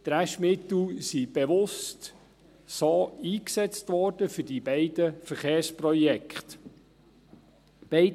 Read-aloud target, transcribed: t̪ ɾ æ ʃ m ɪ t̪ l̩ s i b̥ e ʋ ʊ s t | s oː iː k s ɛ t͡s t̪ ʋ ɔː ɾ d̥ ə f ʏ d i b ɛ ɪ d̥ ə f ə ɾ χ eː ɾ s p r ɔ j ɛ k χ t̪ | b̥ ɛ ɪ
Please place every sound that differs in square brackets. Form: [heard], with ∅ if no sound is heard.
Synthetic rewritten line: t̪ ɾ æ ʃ m ɪ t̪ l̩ s i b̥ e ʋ ʊ s t | s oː iː k s ɛ t͡s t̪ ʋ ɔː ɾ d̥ ə f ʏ d i b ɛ ɪ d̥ ə f ə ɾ χ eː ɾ s p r ɔ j ɛ k χ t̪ | b̥ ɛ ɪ